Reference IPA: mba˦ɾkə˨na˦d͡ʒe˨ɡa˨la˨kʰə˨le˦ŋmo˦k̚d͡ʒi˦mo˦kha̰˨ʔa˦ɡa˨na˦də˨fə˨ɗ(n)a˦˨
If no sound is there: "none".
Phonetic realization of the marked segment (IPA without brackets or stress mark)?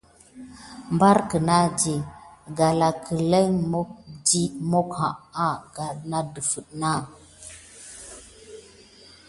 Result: n